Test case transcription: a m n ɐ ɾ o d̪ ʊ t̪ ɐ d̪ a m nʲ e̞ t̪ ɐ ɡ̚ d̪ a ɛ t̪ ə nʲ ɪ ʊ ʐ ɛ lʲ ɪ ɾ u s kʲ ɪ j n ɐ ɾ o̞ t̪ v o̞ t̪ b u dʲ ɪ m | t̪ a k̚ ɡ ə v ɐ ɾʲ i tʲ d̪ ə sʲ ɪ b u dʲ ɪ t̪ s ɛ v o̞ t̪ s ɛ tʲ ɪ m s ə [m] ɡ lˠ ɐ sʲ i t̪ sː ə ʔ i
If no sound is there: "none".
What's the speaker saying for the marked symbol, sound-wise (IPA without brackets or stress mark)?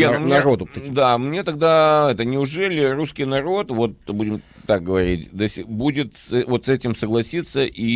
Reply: none